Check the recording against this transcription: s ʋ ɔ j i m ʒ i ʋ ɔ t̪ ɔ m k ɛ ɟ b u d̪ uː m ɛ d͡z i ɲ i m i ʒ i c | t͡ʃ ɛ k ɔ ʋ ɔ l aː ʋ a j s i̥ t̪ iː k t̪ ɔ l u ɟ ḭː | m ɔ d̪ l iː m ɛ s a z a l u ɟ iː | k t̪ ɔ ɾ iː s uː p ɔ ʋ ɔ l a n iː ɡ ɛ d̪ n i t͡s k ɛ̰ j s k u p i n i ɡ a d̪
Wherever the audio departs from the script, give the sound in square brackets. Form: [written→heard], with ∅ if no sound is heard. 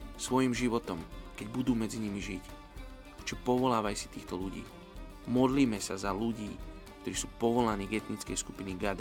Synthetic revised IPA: s ʋ ɔ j i m ʒ i ʋ ɔ t̪ ɔ m k ɛ ɟ b u d̪ uː m ɛ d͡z i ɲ i m i ʒ i c | t͡ʃ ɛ [k→p] ɔ ʋ ɔ l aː ʋ a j s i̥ t̪ iː [k→x] t̪ ɔ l u ɟ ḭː | m ɔ d̪ l iː m ɛ s a z a l u ɟ iː | k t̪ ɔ ɾ iː s uː p ɔ ʋ ɔ l a n iː ɡ ɛ [d̪→t̪] n i t͡s k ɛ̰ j s k u p i n i ɡ a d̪